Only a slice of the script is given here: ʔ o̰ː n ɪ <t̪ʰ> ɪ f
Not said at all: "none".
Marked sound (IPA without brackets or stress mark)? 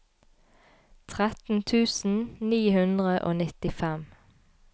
t̪